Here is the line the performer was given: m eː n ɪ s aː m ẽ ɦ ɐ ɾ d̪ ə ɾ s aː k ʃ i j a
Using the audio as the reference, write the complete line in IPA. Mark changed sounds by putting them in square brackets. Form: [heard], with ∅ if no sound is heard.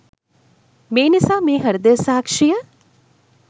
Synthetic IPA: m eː n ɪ s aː m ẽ ɦ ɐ ɾ d̪ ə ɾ s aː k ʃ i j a

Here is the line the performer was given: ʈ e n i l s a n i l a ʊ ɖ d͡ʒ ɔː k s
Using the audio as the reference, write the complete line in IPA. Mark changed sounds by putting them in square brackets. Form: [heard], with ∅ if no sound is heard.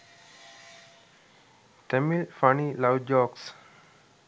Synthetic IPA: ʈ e [m] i l [f] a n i l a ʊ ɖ d͡ʒ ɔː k s

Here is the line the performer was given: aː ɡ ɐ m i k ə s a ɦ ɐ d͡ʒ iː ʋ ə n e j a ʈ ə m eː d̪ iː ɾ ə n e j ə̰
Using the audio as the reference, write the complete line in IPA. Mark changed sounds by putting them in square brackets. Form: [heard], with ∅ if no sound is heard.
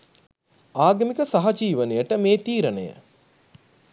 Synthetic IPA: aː ɡ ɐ m i k ə s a ɦ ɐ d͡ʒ iː ʋ ə n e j [ə] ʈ ə m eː [t̪] iː ɾ ə n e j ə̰

